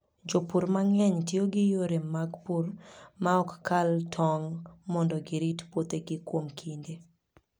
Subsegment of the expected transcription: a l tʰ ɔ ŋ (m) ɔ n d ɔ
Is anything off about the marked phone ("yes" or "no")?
no